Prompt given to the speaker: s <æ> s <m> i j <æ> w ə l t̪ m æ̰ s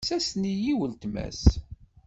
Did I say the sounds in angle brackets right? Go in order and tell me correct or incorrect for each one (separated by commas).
correct, incorrect, incorrect